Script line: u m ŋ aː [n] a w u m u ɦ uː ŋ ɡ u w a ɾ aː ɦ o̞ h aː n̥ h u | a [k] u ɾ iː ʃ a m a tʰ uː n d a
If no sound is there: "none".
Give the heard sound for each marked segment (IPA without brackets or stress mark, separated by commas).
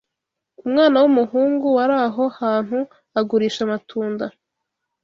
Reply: n, ɡ